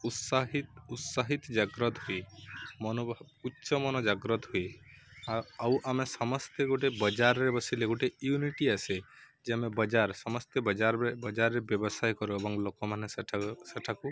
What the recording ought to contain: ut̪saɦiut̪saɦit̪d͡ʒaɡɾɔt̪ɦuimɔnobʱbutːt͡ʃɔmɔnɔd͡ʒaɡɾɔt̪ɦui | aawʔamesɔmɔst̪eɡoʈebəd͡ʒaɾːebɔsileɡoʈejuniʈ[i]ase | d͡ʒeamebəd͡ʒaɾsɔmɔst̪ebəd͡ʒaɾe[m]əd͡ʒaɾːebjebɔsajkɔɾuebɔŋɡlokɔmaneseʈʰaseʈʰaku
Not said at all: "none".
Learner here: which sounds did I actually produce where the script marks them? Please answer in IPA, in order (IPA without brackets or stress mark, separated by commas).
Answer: i, b